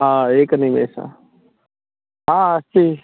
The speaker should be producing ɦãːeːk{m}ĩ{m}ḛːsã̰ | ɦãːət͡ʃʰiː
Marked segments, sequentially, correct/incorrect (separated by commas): incorrect, correct